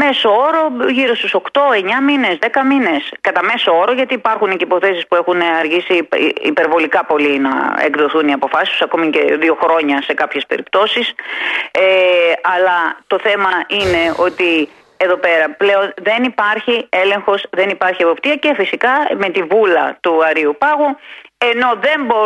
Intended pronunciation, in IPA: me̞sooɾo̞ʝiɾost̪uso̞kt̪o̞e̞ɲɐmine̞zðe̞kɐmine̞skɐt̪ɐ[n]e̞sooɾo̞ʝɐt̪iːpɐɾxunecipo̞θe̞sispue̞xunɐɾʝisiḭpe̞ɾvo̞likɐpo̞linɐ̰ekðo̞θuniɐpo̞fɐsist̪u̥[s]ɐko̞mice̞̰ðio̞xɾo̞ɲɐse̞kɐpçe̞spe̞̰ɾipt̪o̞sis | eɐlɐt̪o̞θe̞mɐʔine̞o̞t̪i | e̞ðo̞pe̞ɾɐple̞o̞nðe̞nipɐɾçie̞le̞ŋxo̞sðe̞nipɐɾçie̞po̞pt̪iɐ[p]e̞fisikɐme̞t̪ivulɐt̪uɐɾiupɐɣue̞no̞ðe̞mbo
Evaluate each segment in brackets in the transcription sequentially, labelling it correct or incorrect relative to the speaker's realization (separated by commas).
incorrect, correct, incorrect